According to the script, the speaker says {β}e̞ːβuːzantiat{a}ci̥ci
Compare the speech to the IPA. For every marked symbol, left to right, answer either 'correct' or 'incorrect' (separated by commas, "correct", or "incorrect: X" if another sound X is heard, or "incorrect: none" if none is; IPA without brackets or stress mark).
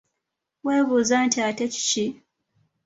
incorrect: w, incorrect: e